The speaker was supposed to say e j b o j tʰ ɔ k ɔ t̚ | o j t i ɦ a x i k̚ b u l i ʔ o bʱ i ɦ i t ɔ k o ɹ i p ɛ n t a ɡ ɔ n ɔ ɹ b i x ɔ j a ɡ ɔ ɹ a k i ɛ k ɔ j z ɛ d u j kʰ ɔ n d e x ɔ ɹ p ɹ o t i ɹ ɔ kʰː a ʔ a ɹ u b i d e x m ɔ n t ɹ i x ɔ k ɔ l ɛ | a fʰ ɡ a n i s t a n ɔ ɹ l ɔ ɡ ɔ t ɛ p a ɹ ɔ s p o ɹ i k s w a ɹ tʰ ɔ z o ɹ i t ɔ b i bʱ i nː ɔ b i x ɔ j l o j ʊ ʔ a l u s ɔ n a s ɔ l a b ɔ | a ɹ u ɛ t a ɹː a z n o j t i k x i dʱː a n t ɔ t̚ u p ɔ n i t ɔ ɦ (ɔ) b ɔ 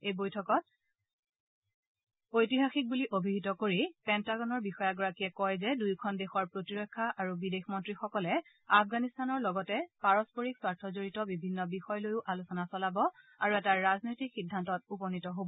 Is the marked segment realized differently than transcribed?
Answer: yes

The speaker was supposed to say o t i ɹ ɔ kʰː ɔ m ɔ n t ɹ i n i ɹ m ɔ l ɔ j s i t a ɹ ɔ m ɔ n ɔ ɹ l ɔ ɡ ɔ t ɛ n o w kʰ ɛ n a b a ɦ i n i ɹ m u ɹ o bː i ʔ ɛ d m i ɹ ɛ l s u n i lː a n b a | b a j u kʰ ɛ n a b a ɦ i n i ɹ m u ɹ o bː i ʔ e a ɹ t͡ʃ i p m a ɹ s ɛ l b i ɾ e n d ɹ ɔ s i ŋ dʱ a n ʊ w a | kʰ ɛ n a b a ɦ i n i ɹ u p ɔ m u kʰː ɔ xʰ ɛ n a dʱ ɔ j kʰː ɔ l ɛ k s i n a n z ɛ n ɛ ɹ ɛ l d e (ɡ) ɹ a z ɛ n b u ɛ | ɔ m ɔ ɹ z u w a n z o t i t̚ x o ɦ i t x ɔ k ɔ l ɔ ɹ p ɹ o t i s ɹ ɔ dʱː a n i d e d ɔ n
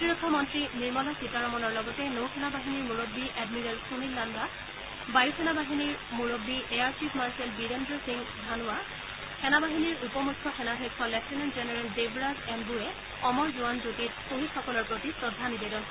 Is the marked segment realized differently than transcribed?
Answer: yes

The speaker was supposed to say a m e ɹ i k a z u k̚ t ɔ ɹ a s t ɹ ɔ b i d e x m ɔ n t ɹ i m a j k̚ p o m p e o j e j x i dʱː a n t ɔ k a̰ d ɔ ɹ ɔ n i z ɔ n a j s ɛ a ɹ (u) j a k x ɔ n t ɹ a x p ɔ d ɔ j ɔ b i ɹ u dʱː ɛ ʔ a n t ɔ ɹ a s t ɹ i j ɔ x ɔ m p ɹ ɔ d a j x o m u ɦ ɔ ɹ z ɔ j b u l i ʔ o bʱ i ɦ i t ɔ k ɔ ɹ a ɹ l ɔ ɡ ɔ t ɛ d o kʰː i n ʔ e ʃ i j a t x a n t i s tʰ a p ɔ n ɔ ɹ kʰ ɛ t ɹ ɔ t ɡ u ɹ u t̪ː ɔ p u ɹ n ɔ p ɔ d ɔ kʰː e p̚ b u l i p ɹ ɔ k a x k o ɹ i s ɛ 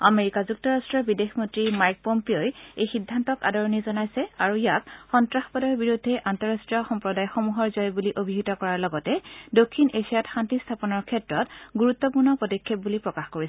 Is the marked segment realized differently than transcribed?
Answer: no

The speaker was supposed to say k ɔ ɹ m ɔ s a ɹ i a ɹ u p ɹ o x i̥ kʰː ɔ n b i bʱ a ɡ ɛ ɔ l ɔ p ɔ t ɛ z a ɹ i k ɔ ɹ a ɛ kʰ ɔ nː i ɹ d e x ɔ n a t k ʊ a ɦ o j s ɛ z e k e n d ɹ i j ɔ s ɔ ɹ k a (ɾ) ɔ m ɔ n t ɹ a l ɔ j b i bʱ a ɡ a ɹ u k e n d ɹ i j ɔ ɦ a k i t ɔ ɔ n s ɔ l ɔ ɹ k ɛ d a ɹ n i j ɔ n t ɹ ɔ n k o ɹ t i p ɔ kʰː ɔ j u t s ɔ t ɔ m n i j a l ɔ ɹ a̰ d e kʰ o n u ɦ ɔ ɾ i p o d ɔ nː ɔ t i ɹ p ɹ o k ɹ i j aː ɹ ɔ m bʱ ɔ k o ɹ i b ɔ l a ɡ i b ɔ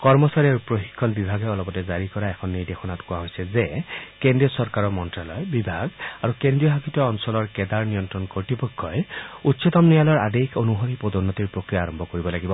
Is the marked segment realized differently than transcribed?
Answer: yes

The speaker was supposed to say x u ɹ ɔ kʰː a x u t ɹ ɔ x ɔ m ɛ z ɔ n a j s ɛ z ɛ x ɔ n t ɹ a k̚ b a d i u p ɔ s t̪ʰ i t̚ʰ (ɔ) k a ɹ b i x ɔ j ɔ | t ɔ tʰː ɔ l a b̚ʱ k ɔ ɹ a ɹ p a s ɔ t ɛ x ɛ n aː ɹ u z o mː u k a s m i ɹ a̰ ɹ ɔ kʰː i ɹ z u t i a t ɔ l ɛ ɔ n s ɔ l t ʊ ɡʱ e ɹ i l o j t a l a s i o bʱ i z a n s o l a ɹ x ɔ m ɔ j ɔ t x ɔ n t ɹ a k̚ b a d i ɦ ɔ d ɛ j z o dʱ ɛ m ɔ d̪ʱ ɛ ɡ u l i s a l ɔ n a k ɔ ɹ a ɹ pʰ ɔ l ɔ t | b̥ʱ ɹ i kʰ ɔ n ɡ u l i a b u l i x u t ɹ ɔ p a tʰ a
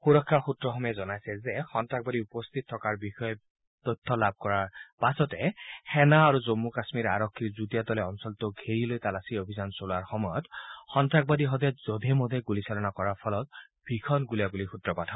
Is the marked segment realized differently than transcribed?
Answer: no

